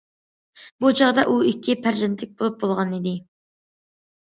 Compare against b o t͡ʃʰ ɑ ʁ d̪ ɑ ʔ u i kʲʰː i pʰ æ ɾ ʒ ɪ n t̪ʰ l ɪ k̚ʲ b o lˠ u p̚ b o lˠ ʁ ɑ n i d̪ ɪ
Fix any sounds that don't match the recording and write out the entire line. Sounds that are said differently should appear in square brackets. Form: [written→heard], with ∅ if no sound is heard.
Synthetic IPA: b [o→u] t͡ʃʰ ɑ ʁ d̪ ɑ ʔ u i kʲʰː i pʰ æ ɾ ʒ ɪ n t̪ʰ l ɪ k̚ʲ b o lˠ u p̚ b o lˠ ʁ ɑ n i d̪ ɪ